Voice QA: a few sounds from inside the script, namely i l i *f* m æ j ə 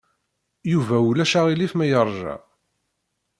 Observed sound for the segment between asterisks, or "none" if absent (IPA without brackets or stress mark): f